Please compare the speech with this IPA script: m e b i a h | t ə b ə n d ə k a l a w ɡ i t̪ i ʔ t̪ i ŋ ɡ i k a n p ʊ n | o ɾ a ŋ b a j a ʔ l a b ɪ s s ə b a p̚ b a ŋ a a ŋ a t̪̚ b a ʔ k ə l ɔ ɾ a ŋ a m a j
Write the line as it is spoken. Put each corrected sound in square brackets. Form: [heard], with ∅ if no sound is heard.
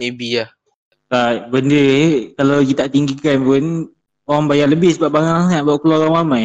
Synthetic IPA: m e b i a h | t [a] b ə n d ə k a l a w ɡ i t̪ [a] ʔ t̪ i ŋ ɡ i k a n p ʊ n | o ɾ a ŋ b a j a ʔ l [ə] b ɪ [h] s ə b a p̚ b a ŋ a a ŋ a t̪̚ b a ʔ k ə l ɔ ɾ a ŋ a m a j